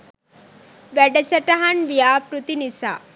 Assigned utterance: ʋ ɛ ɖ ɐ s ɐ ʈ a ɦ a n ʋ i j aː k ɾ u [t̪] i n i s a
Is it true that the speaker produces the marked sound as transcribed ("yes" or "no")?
yes